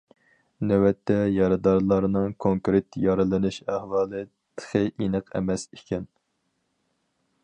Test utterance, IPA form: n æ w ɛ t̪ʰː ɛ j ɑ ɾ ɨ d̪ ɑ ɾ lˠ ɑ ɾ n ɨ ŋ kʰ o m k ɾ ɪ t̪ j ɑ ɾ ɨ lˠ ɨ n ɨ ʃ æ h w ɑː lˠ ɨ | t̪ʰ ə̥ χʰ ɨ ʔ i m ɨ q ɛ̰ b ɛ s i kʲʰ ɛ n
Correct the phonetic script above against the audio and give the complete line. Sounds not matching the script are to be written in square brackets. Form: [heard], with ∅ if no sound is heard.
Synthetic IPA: n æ w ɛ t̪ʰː ɛ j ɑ ɾ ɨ d̪ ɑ ɾ lˠ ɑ ɾ n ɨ ŋ kʰ o [ŋ] k ɾ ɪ t̪ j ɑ ɾ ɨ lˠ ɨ n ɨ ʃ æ h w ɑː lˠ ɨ | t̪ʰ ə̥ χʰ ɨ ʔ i [n] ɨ q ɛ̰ [m] ɛ s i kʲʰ ɛ n